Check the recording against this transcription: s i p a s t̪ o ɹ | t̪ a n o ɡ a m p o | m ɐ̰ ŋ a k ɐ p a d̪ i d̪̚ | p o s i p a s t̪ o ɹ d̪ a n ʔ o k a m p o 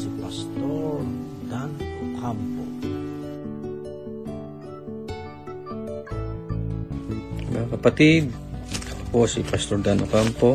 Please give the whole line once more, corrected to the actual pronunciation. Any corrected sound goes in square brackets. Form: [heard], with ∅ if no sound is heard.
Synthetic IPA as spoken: s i p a s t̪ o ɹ | [d̪] a n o [k] a m p o | m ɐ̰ ŋ a k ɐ p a [t̪] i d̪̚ | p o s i p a s t̪ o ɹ d̪ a n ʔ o k a m p o